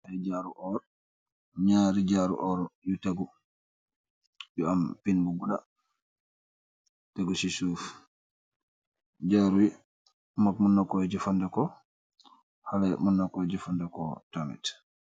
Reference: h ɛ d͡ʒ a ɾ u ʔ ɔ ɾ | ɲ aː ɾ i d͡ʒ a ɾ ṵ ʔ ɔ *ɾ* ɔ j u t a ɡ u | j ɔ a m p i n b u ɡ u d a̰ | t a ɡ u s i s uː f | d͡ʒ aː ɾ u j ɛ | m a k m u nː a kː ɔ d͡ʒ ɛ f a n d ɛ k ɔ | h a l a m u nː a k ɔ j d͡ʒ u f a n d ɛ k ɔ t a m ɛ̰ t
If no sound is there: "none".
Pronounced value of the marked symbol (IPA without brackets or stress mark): ɾ